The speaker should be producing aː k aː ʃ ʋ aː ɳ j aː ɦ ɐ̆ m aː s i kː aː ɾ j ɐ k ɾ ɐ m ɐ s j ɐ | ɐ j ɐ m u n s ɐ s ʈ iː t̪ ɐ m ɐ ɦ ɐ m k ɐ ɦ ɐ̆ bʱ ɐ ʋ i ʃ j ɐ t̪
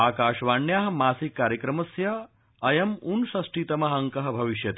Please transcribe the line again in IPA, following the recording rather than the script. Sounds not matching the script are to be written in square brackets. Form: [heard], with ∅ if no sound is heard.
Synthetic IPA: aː k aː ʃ ʋ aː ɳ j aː ɦ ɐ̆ m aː s i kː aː ɾ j ɐ k ɾ ɐ m ɐ s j ɐ | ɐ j ɐ m u n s ɐ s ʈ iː t̪ ɐ m ɐ ɦ ɐ [ŋ] k ɐ ɦ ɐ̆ bʱ ɐ ʋ i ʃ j ɐ t̪